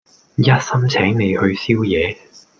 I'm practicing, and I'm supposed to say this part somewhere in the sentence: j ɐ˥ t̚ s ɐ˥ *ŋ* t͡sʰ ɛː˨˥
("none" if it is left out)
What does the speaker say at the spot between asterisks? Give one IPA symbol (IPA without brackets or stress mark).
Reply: m